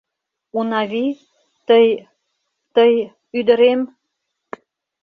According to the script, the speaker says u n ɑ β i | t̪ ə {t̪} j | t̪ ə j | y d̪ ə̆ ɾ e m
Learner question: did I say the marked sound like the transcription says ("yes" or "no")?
no